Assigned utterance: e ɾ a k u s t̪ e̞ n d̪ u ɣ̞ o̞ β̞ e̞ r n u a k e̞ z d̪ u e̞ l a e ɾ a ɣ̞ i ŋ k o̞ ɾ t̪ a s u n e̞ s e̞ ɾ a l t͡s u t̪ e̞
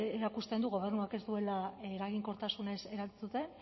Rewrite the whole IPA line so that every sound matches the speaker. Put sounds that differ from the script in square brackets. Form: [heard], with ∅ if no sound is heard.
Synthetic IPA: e ɾ a k u s t̪ e̞ n d̪ u ɣ̞ o̞ β̞ e̞ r n u a k e̞ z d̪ u e̞ l a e ɾ a ɣ̞ i ŋ k o̞ ɾ t̪ a s u n e̞ s e̞ ɾ a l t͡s u t̪ e̞

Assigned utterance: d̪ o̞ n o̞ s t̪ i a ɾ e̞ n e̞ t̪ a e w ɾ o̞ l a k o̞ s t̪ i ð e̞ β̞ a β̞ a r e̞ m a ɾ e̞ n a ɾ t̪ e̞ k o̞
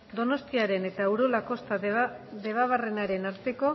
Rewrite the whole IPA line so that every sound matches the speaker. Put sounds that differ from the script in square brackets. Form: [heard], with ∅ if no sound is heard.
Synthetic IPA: d̪ o̞ n o̞ s t̪ i a ɾ e̞ n e̞ t̪ a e w ɾ o̞ l a k o̞ s t̪ [a] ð e̞ β̞ a β̞ a r e̞ [n] a ɾ e̞ n a ɾ t̪ e̞ k o̞

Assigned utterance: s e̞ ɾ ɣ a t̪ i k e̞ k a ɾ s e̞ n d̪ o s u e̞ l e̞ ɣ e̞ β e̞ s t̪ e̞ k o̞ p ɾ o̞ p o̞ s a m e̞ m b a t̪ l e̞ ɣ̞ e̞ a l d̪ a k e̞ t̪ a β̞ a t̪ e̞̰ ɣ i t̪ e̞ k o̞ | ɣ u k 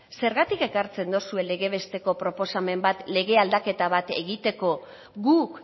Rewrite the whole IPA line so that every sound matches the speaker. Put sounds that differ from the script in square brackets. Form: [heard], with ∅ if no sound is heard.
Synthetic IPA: s e̞ ɾ ɣ a t̪ i k e̞ k a ɾ [t͡s] e̞ n d̪ o s u e̞ l e̞ ɣ e̞ β e̞ s t̪ e̞ k o̞ p ɾ o̞ p o̞ s a m e̞ m b a t̪ l e̞ ɣ̞ e̞ a l d̪ a k e̞ t̪ a β̞ a t̪ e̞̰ ɣ i t̪ e̞ k o̞ | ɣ u k

